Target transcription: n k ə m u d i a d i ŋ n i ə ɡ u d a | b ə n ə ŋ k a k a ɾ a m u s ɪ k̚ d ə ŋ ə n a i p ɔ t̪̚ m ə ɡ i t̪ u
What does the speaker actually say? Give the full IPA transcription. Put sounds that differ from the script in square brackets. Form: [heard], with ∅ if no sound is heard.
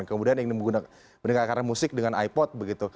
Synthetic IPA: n k ə m u d i a [n] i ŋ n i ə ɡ u [n] a | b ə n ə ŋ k a k a ɾ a m u s ɪ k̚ d ə ŋ [a] n a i p ɔ t̪̚ [b] ə ɡ i t̪ u